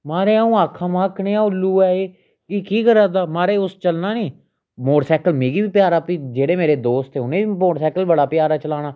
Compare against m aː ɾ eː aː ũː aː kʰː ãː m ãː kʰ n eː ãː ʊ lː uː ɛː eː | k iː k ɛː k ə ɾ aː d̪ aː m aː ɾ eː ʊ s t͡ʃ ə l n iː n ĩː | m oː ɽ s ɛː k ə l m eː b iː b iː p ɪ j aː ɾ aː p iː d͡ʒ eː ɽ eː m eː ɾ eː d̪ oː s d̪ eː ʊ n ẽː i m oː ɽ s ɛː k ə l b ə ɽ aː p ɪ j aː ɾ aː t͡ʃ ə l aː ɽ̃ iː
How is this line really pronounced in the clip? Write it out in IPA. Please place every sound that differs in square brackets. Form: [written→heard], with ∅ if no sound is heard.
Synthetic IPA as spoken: m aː ɾ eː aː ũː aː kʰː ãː m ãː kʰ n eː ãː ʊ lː uː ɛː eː | k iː k [ɛː→iː] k ə ɾ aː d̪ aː m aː ɾ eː ʊ s t͡ʃ ə l n [iː→aː] n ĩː | m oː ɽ s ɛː k ə l m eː [b→ɡ] iː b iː p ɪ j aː ɾ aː p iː d͡ʒ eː ɽ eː m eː ɾ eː d̪ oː s [d̪→t̪] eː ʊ n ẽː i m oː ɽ s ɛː k ə l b ə ɽ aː p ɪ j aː ɾ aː t͡ʃ ə l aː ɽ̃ [iː→aː]